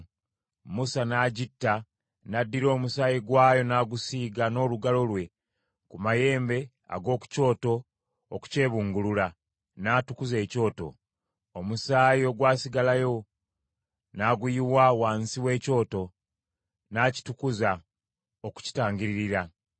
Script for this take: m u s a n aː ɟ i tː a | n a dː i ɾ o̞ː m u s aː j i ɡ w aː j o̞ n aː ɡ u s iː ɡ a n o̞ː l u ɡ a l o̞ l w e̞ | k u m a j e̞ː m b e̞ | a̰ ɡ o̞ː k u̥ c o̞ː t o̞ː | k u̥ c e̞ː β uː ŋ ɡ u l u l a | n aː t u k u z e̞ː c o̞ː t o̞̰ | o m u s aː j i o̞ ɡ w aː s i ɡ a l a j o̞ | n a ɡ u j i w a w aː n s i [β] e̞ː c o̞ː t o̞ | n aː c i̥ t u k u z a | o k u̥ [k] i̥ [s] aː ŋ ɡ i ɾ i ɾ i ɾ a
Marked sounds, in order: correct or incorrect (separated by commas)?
incorrect, incorrect, incorrect